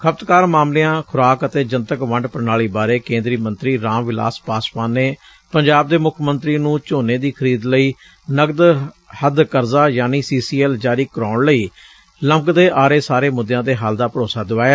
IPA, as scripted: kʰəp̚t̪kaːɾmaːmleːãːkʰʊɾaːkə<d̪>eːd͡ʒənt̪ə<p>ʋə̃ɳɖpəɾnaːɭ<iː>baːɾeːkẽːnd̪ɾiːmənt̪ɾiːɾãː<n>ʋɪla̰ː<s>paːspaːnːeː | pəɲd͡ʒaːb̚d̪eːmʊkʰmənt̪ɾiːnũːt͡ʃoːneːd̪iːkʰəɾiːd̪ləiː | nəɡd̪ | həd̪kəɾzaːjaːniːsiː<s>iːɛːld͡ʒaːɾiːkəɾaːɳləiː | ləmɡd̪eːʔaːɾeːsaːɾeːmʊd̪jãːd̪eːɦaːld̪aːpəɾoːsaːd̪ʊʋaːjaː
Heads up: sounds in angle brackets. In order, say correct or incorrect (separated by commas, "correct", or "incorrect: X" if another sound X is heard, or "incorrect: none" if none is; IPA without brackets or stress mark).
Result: incorrect: t̪, incorrect: k, correct, incorrect: m, correct, correct